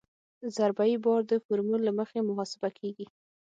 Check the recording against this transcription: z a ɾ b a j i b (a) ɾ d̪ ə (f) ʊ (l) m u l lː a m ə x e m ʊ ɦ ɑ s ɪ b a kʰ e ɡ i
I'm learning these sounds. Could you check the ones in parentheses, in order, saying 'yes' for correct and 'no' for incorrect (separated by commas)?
no, yes, no